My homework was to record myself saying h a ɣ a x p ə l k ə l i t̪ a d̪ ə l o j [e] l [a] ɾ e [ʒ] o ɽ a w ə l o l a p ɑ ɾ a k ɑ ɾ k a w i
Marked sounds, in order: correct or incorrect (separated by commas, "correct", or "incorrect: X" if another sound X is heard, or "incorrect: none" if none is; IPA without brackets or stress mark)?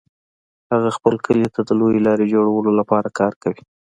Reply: correct, incorrect: ɑ, incorrect: d͡ʒ